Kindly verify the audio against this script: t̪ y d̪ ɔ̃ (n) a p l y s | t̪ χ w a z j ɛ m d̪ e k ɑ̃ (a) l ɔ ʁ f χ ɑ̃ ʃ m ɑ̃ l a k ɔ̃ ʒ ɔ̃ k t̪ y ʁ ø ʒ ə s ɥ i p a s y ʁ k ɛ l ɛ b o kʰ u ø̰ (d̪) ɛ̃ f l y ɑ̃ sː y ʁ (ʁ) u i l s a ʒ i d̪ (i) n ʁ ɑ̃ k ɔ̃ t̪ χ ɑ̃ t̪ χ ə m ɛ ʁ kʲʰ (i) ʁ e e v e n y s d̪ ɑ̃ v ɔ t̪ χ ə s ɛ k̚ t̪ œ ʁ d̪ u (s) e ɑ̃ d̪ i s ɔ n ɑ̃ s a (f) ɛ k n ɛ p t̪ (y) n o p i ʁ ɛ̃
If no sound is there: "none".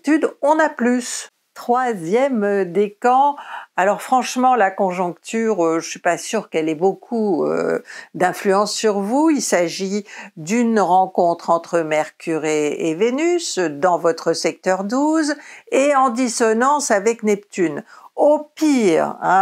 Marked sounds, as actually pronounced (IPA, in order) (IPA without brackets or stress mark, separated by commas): n, a, d̪, v, y, y, z, v, y